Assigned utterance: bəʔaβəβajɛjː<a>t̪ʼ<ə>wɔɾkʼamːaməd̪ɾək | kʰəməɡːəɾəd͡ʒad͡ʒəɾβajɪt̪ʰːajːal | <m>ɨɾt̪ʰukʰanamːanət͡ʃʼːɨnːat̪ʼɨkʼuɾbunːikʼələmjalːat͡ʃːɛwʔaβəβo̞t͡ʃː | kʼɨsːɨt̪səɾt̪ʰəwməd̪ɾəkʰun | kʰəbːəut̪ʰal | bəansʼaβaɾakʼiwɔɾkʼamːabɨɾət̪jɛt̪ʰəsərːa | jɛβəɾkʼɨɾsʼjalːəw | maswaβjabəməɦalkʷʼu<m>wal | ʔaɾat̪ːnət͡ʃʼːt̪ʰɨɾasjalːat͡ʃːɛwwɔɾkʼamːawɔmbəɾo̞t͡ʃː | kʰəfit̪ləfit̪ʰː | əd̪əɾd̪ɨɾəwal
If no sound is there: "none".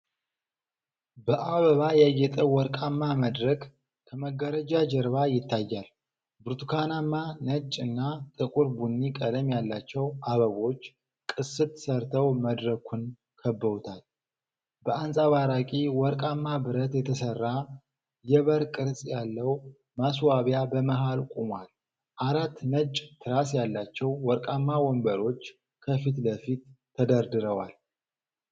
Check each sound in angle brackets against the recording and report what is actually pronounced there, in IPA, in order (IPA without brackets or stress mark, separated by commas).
ɛ, ə, b, m